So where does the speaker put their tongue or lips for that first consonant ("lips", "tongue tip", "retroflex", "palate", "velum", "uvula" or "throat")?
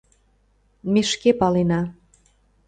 lips